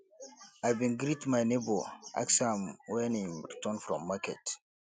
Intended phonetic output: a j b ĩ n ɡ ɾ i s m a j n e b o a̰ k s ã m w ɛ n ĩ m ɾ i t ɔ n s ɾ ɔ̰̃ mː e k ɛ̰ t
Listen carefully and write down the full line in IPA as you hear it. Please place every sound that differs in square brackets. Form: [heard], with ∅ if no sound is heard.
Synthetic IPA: a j b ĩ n ɡ ɾ i [t] m a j n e b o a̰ k s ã m w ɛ n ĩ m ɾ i t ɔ n [f] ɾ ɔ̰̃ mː [a] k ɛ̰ t